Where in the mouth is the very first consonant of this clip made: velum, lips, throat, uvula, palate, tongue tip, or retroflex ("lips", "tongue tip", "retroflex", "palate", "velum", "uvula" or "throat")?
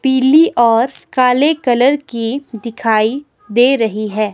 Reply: lips